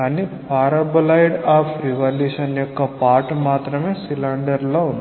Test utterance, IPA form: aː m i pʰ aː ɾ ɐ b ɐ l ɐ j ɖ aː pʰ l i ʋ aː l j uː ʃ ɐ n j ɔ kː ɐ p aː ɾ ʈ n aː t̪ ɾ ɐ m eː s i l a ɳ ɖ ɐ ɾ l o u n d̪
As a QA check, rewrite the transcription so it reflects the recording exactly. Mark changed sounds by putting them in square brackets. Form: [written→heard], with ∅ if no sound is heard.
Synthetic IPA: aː [m→n] i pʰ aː ɾ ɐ b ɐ l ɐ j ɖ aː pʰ [l→ɾ] i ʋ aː l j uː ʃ ɐ n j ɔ kː ɐ p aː ɾ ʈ [n→m] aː t̪ ɾ ɐ m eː s i l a ɳ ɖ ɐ ɾ l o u n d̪